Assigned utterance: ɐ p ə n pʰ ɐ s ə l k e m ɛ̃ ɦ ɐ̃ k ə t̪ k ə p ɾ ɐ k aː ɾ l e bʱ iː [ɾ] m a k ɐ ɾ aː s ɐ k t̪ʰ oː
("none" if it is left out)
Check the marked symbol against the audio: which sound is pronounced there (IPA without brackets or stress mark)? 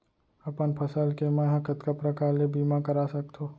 none